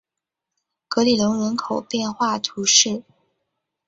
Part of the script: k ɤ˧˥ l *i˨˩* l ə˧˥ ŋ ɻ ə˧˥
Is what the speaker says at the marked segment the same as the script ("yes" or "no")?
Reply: yes